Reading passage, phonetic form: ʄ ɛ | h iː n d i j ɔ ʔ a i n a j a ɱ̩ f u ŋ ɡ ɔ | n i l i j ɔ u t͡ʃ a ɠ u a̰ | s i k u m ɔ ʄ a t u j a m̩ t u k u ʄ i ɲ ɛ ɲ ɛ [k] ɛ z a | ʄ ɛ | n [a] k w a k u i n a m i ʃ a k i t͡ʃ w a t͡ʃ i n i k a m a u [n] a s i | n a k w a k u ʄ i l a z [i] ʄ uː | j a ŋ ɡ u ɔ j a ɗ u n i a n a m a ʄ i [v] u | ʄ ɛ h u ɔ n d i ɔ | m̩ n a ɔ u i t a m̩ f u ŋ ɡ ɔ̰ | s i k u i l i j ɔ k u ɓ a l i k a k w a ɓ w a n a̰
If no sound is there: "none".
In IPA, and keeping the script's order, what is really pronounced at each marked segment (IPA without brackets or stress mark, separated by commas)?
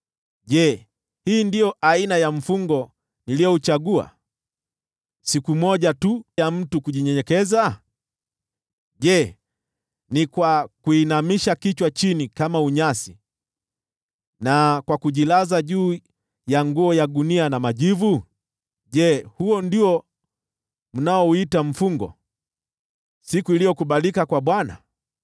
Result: k, i, ɲ, a, v